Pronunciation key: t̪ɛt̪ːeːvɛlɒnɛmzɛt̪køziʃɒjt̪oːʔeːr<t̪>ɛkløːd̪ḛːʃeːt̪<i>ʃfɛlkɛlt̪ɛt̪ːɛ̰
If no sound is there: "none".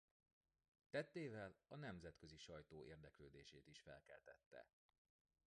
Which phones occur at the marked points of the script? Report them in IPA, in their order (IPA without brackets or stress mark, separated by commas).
d̪, i